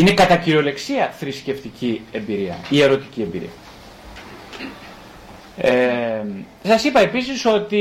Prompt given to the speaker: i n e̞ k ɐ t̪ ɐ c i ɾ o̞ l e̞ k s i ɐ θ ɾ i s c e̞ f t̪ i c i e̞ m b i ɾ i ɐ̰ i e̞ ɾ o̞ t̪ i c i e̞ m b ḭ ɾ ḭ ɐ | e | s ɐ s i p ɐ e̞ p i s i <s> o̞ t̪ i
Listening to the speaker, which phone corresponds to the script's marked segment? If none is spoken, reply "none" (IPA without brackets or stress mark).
s